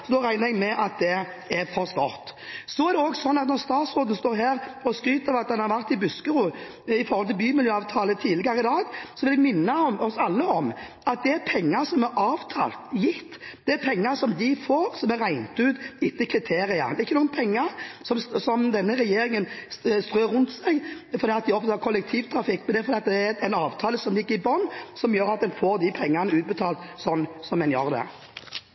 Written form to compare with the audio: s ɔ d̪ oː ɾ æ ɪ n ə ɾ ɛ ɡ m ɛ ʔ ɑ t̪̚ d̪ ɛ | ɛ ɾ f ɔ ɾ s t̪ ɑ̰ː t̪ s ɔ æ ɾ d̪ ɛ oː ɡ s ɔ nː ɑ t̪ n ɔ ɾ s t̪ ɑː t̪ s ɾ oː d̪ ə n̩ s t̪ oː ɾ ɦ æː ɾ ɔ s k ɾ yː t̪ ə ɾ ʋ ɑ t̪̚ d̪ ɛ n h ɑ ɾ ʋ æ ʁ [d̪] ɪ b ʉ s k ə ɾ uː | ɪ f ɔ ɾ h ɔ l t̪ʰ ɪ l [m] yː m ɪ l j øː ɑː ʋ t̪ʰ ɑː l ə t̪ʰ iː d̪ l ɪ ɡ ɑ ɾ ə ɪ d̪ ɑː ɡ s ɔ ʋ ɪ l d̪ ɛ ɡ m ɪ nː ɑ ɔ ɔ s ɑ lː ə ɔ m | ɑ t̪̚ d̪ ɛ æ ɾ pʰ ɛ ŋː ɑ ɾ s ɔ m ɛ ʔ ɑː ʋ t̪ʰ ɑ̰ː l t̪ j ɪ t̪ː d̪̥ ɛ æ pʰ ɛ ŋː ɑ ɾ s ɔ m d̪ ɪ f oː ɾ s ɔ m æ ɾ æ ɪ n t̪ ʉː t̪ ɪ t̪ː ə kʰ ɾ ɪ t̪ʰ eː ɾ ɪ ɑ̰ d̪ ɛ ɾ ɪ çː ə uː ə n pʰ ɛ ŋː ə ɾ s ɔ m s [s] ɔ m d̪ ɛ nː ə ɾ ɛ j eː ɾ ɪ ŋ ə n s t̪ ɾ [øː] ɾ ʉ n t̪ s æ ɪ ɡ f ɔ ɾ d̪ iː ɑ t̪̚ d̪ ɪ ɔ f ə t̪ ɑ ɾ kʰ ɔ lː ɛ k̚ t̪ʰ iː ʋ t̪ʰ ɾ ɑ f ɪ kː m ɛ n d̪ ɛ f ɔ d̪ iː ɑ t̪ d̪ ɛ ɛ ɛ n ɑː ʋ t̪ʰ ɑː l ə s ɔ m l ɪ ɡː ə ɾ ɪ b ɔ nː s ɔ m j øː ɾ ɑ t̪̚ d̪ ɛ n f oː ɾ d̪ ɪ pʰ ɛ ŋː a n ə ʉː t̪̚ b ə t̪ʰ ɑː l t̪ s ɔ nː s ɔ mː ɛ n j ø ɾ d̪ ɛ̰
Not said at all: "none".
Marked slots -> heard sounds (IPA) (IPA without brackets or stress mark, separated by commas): t̪, b, s, øː